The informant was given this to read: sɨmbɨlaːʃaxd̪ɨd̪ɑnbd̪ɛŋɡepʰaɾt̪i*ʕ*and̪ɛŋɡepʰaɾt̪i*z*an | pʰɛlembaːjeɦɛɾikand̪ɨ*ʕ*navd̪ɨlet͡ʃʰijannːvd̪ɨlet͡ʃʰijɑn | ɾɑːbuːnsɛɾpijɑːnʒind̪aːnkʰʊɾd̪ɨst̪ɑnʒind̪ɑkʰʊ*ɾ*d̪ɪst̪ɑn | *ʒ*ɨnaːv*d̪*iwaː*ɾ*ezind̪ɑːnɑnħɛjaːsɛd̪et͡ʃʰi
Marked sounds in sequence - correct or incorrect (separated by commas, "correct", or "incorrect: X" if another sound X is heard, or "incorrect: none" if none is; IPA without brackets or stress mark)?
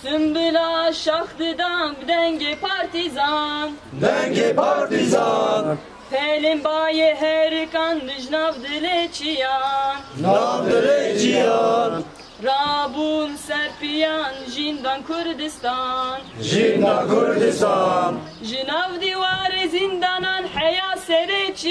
incorrect: z, correct, incorrect: ʒ, correct, correct, correct, correct